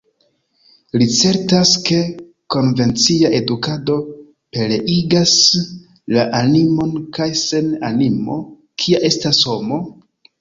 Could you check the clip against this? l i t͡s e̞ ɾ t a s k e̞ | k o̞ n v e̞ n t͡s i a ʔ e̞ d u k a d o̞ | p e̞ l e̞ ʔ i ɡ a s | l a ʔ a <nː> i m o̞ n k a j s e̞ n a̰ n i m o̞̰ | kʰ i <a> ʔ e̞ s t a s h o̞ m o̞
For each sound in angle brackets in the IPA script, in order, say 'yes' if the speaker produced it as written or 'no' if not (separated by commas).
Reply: no, yes